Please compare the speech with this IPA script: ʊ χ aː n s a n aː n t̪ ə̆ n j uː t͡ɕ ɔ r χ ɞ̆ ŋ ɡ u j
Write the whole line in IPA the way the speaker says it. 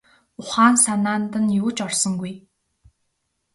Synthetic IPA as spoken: ʊ χ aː n s a n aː n t̪ ə̆ n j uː t͡ɕ ɔ r s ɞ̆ ŋ ɡ u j